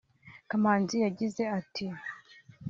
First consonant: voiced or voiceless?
voiceless